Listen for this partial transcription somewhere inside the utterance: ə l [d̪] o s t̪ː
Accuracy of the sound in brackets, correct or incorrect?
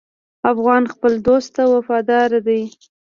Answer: correct